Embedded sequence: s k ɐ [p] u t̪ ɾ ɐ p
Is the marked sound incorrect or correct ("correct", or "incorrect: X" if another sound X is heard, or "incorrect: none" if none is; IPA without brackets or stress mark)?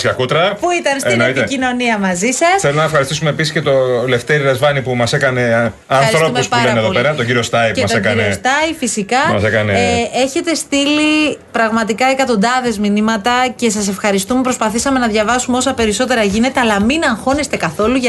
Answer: incorrect: k